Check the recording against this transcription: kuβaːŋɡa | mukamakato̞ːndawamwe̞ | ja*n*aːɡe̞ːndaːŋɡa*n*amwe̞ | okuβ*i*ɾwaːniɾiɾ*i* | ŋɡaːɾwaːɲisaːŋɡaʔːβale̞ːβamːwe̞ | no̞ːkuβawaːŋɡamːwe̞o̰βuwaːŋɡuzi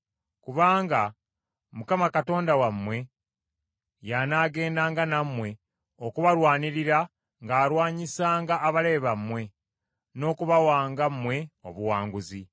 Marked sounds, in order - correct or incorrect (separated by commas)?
correct, correct, incorrect, incorrect